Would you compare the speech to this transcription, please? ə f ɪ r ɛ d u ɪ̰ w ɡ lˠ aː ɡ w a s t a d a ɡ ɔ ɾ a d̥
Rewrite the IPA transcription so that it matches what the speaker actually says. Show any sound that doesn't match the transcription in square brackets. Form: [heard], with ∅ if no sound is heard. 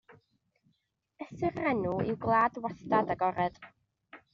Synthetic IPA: ə [s] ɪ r ɛ [n] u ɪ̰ w ɡ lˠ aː [d] w a s t a d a ɡ ɔ ɾ [ɛ] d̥

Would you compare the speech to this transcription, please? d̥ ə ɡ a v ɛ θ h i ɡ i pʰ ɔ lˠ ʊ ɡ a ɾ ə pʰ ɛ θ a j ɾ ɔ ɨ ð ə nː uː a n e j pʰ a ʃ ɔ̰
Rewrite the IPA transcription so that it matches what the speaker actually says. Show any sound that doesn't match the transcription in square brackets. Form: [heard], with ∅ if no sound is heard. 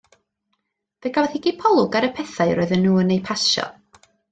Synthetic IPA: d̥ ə ɡ a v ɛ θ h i ɡ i pʰ ɔ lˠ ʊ ɡ a ɾ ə pʰ ɛ θ a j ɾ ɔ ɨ ð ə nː uː [ə] n e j pʰ a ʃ ɔ̰

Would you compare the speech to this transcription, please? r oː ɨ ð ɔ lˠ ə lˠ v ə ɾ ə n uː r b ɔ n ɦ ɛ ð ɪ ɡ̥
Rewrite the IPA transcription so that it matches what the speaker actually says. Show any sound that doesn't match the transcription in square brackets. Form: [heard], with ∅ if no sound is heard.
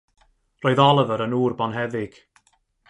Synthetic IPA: r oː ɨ ð ɔ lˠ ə [∅] v ə ɾ ə n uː r b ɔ n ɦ ɛ ð ɪ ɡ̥

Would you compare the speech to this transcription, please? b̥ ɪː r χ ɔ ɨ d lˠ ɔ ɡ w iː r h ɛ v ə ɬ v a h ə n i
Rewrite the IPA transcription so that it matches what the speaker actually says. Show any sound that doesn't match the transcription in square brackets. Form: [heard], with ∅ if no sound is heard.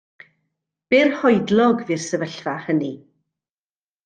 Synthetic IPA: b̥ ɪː r [h] ɔ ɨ d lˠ ɔ ɡ [v] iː r [s] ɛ v ə ɬ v a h ə n i

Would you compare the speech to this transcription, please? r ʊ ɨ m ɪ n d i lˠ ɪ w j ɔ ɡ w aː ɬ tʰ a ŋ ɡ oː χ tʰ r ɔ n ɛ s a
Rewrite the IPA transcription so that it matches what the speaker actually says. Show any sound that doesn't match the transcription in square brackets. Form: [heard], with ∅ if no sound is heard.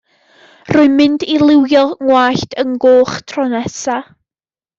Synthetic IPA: r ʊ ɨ m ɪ n d i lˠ ɪ w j ɔ [ŋ] w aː ɬ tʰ [ə] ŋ ɡ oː χ tʰ r ɔ n ɛ s a

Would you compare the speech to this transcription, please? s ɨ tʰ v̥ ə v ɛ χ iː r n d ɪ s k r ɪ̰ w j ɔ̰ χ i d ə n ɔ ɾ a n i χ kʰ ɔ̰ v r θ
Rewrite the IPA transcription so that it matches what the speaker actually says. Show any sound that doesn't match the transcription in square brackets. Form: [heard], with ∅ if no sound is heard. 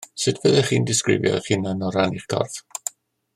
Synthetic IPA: s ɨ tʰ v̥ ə [ð] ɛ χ iː [∅] n d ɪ s k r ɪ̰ [v] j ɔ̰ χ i [n] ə n ɔ ɾ a n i χ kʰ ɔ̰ [∅] r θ

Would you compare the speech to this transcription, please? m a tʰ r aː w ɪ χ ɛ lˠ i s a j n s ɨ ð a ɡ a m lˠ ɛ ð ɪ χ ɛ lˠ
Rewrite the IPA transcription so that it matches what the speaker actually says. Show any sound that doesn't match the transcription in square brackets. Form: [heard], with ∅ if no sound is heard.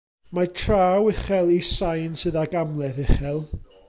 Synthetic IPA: m a tʰ r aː w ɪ χ ɛ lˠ i s a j n s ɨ ð a ɡ a m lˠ ɛ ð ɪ χ ɛ lˠ

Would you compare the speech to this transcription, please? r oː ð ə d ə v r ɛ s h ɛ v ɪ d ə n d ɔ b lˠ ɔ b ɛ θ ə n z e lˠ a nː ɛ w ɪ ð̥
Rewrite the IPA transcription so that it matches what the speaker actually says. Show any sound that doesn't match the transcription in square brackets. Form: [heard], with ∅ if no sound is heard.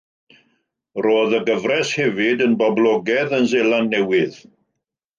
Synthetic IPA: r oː ð ə [ɡ] ə v r ɛ s h ɛ v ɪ d ə n [b] ɔ b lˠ ɔ [ɡ] ɛ [ð] ə n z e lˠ a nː ɛ w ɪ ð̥

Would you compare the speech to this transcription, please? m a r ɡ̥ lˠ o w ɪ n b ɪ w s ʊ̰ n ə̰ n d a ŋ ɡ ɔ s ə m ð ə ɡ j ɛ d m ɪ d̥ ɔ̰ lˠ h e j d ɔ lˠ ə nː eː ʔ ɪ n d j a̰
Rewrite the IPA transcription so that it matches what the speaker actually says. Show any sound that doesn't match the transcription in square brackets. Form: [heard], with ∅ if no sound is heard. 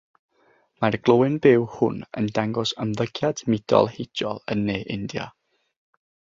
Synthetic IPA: m a r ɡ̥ lˠ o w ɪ n b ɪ w [h] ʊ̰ n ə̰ n d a ŋ ɡ ɔ s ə m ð ə ɡ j [a] d m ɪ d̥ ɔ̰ lˠ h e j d ɔ lˠ ə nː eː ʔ ɪ n d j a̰

